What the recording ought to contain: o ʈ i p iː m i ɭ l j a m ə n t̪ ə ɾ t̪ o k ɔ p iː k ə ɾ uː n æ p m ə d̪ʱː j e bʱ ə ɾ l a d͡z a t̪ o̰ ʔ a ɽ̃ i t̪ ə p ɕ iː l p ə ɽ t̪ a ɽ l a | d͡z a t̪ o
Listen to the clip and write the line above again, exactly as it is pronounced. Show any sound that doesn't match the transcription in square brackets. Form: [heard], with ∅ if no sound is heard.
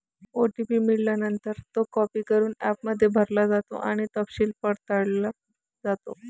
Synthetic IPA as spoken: o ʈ i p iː m i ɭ l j a [n] ə n t̪ ə ɾ t̪ o k ɔ p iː k ə ɾ uː n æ p m ə d̪ʱː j e bʱ ə ɾ l a d͡z a t̪ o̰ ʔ a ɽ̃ i t̪ ə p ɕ iː l p ə ɽ t̪ a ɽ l a | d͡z a t̪ o